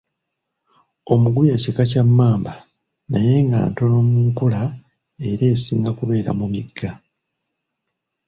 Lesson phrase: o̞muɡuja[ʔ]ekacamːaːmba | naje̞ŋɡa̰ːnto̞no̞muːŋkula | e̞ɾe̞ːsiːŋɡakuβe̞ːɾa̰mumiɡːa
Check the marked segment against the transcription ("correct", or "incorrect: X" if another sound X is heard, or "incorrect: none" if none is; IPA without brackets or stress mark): incorrect: c